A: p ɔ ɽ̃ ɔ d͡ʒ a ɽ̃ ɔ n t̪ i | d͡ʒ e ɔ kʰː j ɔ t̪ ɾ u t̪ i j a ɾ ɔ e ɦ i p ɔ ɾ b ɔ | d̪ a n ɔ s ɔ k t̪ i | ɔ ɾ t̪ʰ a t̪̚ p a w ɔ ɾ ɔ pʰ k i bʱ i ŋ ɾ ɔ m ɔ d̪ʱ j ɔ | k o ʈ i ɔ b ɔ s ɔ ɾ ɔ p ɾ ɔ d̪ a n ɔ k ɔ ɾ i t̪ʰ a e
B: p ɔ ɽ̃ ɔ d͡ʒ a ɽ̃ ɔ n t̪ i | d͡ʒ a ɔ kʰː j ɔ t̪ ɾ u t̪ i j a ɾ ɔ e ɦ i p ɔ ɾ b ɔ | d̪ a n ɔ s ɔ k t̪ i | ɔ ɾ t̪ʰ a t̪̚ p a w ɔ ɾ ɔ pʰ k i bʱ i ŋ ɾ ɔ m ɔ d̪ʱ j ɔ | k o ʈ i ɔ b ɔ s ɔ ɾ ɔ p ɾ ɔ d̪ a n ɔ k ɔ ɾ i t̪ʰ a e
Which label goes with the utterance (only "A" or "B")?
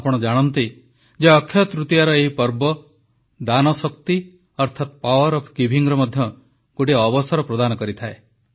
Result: A